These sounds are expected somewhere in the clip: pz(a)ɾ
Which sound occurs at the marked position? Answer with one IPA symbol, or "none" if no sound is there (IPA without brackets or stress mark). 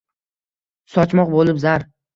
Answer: a